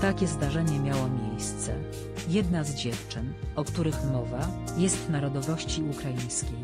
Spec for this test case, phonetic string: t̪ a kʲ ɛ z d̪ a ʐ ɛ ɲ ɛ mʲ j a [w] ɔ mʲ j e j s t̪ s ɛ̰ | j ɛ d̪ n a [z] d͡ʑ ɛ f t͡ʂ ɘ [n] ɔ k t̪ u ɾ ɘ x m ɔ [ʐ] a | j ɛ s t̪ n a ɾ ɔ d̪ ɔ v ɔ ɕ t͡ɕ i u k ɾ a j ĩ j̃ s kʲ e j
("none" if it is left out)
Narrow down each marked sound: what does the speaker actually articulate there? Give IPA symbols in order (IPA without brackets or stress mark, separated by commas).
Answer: w, z, n, v